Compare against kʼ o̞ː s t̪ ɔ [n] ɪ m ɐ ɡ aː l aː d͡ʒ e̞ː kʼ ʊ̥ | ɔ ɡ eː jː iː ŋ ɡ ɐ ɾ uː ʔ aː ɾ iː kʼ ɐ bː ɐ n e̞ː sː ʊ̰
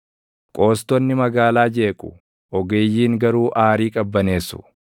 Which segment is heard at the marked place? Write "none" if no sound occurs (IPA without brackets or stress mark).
nː